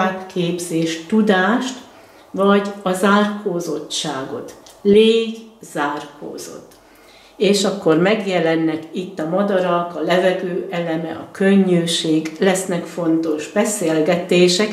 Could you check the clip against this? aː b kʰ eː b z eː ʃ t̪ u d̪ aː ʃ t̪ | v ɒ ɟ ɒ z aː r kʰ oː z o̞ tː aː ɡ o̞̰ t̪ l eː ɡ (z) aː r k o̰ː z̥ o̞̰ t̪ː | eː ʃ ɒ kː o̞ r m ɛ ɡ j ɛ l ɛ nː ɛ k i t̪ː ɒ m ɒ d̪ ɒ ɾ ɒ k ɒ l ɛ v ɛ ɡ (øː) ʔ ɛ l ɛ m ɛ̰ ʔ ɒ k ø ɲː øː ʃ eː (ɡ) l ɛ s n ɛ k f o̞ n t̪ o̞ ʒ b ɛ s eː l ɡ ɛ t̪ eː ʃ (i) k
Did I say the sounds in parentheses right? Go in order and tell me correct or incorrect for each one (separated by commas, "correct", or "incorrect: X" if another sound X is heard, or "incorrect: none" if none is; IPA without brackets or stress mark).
correct, correct, correct, incorrect: ɛ